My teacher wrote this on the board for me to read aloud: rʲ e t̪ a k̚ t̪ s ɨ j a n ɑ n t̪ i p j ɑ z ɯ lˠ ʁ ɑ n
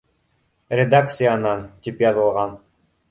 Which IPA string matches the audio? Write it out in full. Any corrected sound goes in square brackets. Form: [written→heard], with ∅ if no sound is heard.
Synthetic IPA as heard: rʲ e [t̪→d̪] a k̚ t̪ s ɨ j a n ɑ n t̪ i p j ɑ z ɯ lˠ ʁ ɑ n